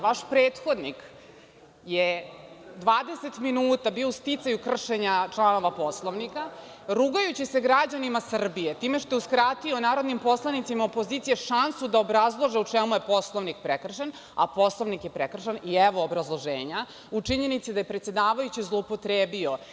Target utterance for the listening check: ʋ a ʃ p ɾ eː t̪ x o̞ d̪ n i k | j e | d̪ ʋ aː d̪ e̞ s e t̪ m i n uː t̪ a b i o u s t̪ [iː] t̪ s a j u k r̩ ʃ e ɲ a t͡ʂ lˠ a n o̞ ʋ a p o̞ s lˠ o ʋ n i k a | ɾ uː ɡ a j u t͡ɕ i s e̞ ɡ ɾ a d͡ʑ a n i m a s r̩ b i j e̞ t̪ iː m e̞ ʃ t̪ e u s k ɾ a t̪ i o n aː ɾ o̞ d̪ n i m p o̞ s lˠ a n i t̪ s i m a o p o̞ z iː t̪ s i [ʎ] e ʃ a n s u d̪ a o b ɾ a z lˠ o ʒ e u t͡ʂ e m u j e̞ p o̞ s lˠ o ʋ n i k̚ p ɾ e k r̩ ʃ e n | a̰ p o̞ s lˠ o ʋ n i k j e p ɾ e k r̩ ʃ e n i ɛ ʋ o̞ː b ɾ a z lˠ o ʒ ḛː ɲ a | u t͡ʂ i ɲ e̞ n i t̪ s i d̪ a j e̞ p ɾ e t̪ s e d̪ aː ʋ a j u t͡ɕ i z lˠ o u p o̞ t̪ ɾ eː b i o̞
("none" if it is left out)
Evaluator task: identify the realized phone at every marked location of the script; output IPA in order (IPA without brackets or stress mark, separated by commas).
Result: i, j